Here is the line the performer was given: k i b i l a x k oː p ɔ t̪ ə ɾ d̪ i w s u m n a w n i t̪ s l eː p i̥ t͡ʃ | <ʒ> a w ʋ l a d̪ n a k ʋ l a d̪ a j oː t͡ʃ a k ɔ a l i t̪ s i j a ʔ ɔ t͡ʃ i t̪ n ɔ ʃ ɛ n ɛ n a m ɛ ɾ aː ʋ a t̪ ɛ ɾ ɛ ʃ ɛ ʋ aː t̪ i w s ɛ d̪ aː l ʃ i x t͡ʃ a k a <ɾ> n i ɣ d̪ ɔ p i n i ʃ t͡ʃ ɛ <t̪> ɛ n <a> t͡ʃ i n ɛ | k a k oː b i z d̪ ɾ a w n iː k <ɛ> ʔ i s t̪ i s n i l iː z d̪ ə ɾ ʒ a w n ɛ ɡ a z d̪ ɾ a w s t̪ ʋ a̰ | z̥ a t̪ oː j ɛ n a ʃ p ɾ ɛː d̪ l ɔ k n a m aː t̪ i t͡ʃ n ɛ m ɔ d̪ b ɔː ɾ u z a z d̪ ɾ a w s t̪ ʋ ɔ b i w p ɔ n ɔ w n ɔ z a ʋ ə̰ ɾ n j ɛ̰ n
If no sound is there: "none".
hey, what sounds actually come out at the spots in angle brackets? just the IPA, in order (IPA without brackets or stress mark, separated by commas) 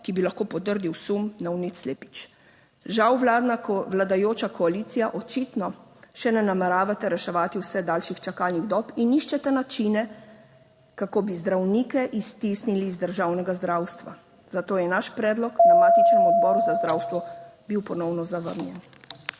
ʒ, l, t̪, a, ɛ